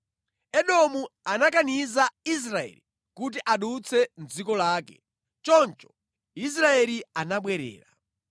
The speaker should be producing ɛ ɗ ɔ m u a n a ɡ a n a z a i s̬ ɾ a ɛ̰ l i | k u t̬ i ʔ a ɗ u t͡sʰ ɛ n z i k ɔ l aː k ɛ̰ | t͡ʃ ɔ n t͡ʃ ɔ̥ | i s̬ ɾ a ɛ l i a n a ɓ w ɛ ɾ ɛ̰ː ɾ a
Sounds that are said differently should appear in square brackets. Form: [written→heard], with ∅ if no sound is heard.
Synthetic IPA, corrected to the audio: ɛ ɗ ɔ m u a n a [ɡ→k] a n [a→i] z a i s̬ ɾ a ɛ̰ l i | k u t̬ i ʔ a ɗ u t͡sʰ ɛ n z i k ɔ l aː k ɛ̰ | t͡ʃ ɔ n t͡ʃ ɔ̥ | i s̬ ɾ a ɛ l i a n a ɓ w ɛ ɾ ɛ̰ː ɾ a